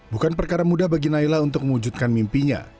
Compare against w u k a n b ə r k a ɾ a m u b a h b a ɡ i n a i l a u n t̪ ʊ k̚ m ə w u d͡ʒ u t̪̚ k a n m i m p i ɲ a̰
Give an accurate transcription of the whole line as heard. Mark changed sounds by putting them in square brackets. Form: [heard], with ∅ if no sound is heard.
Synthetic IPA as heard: [b] u k a n [p] ə r k a ɾ a m u [d] a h b a ɡ i n a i l a u n t̪ ʊ k̚ m ə w u d͡ʒ u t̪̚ k a n m i m p i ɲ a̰